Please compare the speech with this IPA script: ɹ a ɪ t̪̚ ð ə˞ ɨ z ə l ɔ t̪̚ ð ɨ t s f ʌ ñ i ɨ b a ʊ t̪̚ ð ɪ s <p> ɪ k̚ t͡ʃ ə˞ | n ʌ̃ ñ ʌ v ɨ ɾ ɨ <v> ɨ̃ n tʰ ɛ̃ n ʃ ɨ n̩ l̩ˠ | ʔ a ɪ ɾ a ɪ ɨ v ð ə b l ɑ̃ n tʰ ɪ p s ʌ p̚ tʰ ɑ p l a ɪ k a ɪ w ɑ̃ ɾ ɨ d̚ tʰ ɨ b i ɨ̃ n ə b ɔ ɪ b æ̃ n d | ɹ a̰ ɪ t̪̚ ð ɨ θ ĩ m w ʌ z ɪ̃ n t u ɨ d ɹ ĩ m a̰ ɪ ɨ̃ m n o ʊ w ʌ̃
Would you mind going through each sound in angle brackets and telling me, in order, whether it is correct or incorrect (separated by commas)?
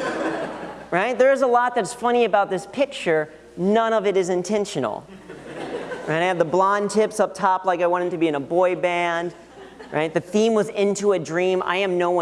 incorrect, incorrect